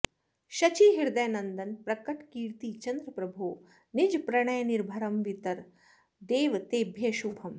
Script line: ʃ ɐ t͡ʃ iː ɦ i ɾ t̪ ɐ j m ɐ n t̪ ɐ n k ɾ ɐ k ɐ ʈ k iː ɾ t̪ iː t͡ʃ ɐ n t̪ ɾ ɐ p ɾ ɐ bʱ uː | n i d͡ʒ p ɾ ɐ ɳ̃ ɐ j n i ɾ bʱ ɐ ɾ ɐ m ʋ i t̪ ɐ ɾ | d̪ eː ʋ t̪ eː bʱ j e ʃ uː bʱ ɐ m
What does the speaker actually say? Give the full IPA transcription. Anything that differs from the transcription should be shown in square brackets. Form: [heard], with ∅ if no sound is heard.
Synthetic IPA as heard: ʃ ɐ t͡ʃ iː ɦ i ɾ [d̪] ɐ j [n] ɐ n [d̪] ɐ n [p] ɾ ɐ k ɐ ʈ k iː ɾ t̪ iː t͡ʃ ɐ n [d̪] ɾ ɐ p ɾ ɐ bʱ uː | n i d͡ʒ p ɾ ɐ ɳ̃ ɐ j n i ɾ bʱ ɐ ɾ ɐ m ʋ i t̪ ɐ ɾ | d̪ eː ʋ t̪ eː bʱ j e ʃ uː bʱ ɐ m